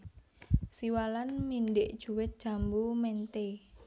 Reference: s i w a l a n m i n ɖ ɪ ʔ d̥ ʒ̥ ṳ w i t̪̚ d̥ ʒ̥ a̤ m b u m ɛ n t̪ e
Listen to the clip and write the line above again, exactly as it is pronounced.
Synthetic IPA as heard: s i w a l a n m i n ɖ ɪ ʔ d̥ ʒ̥ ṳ w ɪ t̪̚ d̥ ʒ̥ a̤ m b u m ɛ n t̪ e